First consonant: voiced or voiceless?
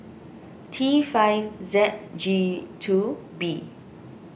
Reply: voiceless